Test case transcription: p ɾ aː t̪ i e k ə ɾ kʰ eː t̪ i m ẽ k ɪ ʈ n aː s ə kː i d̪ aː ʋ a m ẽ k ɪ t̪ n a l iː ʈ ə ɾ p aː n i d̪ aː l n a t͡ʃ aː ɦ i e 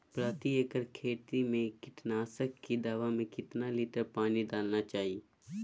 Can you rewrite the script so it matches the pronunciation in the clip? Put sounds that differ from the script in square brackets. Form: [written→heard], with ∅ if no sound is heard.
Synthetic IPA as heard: p ɾ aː t̪ i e k ə ɾ kʰ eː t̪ i m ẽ k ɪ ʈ n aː s ə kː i d̪ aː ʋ a m ẽ k ɪ t̪ n a l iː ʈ ə ɾ p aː n i d̪ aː l n a t͡ʃ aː ɦ i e